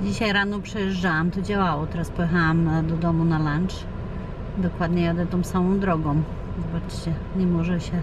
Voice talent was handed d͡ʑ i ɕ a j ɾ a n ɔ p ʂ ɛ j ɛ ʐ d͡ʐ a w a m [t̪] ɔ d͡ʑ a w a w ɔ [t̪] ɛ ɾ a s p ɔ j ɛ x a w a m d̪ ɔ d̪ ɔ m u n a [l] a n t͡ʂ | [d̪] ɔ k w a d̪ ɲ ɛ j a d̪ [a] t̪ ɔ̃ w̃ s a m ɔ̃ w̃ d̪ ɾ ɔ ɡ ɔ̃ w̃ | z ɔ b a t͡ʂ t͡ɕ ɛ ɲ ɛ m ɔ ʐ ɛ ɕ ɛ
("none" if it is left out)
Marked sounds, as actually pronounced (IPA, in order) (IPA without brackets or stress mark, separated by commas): t̪, t̪, l, d̪, ɛ